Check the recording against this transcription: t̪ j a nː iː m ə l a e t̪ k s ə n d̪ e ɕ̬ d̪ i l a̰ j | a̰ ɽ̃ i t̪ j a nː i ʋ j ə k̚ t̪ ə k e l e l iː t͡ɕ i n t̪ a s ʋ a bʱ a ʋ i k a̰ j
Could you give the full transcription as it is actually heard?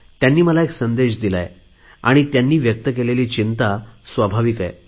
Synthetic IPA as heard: t̪ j a nː iː m ə l a e k s ə n d̪ e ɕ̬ d̪ i l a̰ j | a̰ ɽ̃ i t̪ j a nː iː ʋ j ə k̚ t̪ ə k e l e l iː t͡ɕ i n t̪ a s ʋ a bʱ a ʋ i k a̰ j